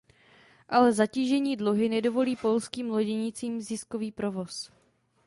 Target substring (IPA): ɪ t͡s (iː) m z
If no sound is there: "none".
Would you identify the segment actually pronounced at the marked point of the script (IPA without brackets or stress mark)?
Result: iː